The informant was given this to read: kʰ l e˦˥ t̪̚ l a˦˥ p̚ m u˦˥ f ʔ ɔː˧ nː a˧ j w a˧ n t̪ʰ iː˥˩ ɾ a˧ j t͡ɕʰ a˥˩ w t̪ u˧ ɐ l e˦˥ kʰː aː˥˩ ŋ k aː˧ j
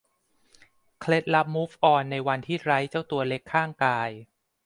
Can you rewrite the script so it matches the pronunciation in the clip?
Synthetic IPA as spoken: kʰ l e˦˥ t̪̚ l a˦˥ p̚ m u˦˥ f ʔ ɔː˧ nː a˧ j w a˧ n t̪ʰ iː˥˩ ɾ a˦˥ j t͡ɕ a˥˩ w t̪ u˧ ɐ l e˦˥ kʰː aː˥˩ ŋ k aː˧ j